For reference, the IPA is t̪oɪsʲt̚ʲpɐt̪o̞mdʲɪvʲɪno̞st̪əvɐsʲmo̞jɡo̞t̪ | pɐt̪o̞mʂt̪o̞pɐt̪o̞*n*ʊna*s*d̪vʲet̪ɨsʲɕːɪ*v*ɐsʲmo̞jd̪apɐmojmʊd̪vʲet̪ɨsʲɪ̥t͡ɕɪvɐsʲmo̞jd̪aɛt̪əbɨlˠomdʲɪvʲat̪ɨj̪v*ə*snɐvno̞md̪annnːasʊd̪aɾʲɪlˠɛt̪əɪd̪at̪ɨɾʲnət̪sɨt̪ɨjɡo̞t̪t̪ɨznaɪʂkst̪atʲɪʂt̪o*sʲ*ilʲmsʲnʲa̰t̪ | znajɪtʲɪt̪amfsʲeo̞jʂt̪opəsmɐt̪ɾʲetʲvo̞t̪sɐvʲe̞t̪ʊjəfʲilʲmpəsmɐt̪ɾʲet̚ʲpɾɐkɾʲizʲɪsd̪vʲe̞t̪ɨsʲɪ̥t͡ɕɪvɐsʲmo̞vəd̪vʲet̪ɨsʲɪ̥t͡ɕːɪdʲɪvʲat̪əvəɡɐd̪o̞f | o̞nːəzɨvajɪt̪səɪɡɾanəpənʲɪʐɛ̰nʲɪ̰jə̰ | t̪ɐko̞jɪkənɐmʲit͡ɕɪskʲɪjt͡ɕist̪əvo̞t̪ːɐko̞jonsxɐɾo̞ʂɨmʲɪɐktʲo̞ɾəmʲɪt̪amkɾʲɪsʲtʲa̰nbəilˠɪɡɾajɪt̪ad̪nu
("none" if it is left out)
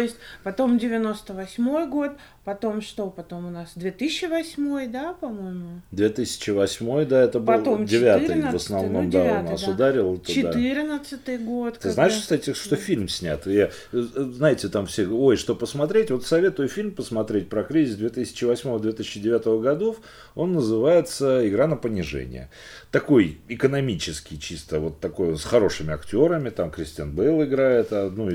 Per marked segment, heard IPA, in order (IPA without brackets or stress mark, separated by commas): m, s, v, ə, fʲ